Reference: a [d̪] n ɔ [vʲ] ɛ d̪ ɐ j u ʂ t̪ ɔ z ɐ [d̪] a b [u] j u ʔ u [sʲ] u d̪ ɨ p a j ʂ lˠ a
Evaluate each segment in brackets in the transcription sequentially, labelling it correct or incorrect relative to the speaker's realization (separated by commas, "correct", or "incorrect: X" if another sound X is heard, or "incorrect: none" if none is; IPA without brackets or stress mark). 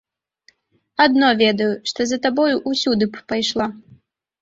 correct, correct, incorrect: t̪, incorrect: ɔ, correct